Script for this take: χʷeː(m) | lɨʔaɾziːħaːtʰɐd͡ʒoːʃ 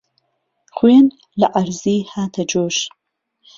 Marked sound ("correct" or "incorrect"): incorrect